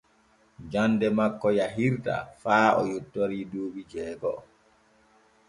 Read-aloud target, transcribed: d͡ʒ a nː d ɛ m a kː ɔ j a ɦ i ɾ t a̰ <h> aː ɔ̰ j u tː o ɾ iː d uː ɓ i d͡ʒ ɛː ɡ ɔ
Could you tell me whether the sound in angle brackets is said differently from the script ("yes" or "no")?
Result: yes